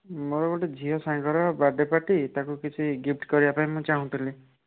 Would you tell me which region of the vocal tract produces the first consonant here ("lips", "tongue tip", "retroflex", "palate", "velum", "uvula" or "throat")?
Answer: lips